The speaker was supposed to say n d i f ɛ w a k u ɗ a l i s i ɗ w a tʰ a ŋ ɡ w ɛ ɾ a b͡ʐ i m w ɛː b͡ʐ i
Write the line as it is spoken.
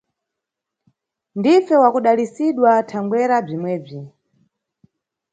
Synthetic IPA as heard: n d i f ɛ w a k u ɗ a l i s i ɗ w a tʰ a ŋ ɡ w ɛ ɾ a b͡ʐ i m w ɛː b͡ʐ i